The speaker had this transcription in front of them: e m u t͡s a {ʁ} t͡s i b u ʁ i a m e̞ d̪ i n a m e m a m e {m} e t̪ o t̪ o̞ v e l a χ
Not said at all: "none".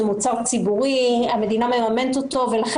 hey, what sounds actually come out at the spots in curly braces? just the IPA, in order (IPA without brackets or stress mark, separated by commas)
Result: ʁ, n